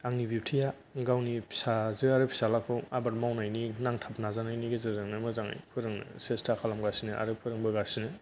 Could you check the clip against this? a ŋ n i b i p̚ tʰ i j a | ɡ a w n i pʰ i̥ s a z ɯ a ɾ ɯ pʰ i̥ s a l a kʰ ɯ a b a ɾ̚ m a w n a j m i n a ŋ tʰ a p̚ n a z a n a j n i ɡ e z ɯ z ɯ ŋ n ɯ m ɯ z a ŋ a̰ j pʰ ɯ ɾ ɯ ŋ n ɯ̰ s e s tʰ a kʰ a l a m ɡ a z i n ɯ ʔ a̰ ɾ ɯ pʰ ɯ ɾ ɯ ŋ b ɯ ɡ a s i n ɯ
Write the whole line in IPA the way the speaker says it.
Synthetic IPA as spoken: a ŋ n i b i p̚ tʰ i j a | ɡ a w n i pʰ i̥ s a z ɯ a ɾ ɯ pʰ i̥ s a l a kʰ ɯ a b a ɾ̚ m a w n a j n i n a ŋ tʰ a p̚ n a z a n a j n i ɡ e z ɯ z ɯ ŋ n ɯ m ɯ z a ŋ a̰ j pʰ ɯ ɾ ɯ ŋ n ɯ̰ s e s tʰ a kʰ a l a m ɡ a s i n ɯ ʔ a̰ ɾ ɯ pʰ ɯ ɾ ɯ ŋ b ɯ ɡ a s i n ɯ